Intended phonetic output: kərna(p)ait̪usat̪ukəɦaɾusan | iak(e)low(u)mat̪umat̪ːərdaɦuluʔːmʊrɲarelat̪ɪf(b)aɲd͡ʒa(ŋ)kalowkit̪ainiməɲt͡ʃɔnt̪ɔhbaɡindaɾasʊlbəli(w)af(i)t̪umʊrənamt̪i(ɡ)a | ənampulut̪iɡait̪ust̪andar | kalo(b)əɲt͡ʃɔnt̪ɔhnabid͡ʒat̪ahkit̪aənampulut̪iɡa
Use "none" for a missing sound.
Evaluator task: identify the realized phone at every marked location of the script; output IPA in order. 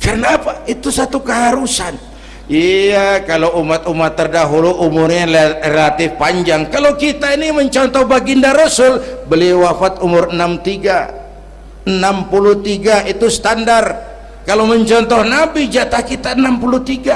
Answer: p, a, u, p, ŋ, w, a, ɡ, m

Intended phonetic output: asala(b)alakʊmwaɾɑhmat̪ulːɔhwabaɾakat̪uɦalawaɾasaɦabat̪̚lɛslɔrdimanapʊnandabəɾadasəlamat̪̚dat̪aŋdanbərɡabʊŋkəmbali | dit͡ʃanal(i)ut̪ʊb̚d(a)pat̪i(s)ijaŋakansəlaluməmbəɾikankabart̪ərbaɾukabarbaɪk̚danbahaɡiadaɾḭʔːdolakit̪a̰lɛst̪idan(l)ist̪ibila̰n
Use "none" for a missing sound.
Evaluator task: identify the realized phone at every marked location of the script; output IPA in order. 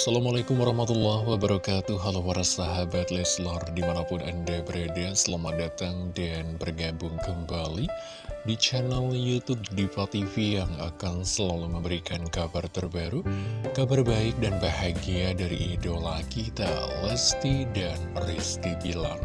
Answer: m, j, i, f, r

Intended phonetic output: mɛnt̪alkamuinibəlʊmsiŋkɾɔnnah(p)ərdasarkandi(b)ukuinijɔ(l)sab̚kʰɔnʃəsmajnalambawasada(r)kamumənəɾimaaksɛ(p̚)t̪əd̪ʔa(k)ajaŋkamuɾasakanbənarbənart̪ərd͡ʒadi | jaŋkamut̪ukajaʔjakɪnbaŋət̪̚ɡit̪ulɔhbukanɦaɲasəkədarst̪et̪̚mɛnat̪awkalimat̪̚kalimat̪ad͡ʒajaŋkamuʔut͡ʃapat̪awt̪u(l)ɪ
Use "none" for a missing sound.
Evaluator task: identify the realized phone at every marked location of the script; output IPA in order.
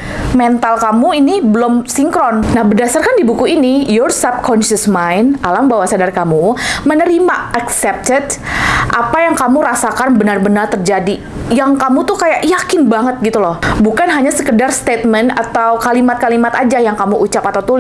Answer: b, b, r, r, p̚, p, l

